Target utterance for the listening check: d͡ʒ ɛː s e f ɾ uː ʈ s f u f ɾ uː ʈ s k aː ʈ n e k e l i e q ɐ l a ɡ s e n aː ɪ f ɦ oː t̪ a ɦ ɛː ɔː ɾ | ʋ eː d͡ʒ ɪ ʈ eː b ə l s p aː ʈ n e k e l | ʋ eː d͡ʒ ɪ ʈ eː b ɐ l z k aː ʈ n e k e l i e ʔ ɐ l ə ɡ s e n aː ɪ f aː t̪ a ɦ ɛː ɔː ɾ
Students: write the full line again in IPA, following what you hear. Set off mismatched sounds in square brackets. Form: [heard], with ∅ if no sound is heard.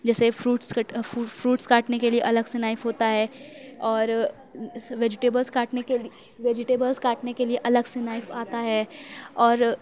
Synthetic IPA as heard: d͡ʒ ɛː s e f ɾ uː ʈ s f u f ɾ uː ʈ s k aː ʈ n e k e l i e [ʔ] ɐ l [ə] ɡ s e n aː ɪ f ɦ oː t̪ a ɦ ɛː ɔː ɾ | ʋ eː d͡ʒ ɪ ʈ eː b ə l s [k] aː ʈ n e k e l | ʋ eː d͡ʒ ɪ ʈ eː b [ə] l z k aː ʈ n e k e l i e ʔ ɐ l ə ɡ s e n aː ɪ f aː t̪ a ɦ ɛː ɔː ɾ